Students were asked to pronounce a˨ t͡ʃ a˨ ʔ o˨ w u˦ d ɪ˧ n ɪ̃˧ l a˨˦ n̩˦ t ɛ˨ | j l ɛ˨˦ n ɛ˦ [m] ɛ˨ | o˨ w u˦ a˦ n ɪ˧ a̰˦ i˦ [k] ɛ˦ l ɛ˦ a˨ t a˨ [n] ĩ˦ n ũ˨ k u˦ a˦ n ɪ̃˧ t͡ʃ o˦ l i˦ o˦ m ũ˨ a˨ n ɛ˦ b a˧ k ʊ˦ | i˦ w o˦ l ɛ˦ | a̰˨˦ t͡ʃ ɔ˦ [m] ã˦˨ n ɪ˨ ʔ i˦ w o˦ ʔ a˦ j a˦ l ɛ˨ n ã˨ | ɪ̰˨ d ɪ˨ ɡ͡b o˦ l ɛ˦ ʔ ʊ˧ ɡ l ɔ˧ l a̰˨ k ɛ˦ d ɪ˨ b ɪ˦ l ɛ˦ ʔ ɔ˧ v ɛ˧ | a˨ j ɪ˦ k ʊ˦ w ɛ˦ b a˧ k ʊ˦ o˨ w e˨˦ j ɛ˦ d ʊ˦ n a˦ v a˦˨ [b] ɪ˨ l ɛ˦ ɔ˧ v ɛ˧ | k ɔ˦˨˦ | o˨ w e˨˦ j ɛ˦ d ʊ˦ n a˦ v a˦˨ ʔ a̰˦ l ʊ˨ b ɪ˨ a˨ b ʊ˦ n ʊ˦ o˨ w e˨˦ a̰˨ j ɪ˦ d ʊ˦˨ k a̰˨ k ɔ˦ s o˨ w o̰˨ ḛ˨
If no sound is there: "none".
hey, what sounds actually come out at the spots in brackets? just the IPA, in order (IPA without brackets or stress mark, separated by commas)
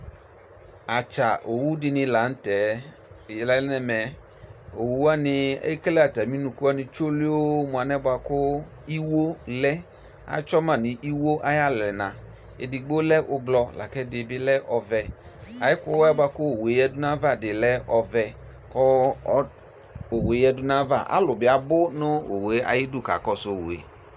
m, k, m, m, d